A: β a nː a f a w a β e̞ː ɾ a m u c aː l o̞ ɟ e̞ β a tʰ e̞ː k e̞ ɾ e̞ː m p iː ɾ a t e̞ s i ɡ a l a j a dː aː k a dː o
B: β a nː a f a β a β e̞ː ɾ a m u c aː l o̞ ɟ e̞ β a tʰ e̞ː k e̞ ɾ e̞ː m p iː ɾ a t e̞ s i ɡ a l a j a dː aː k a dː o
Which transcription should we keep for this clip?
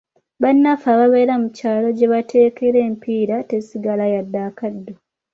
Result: B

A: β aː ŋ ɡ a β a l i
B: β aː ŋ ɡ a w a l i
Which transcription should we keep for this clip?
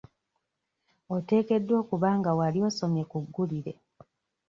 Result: B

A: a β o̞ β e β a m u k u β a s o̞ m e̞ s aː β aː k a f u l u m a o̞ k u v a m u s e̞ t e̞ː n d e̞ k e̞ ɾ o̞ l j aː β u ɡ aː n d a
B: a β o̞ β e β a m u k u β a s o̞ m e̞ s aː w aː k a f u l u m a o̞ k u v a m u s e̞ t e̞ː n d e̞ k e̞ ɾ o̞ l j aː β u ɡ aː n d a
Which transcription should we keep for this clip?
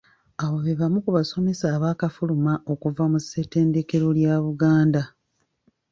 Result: A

